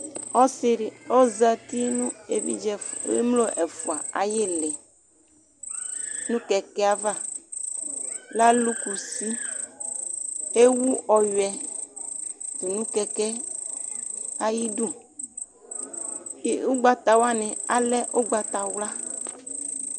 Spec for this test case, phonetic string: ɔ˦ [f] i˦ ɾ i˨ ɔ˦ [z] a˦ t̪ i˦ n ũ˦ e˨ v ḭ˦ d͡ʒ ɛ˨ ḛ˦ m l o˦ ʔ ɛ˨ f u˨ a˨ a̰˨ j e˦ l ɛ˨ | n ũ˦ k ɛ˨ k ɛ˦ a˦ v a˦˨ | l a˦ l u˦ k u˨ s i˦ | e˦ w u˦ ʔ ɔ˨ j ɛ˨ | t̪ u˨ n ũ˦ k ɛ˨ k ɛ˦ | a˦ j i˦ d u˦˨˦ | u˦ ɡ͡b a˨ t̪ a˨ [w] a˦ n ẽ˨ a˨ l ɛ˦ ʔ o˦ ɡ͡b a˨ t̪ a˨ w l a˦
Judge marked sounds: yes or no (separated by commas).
no, yes, yes